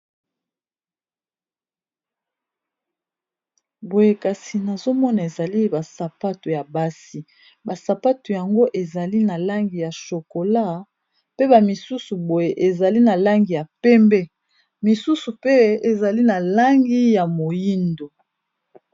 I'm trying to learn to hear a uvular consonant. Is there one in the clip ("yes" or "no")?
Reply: no